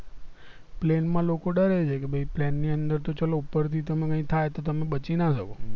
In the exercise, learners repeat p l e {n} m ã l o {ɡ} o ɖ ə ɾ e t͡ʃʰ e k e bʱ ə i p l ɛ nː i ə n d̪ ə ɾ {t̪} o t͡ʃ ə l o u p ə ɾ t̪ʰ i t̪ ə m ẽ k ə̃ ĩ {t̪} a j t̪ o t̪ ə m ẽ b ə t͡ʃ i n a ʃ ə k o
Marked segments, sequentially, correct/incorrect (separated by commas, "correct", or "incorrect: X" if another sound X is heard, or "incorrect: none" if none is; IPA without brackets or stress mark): correct, incorrect: k, correct, incorrect: t̪ʰ